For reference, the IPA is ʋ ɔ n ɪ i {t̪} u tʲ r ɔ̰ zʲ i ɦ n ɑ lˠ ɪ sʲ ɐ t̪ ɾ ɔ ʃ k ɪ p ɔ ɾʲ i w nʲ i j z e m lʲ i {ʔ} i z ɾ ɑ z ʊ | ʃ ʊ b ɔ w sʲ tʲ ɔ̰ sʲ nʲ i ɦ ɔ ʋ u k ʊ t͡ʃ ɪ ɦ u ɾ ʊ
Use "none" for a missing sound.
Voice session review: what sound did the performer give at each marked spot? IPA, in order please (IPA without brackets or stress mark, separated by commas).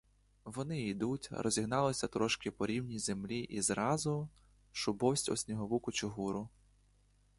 d̪, ʔ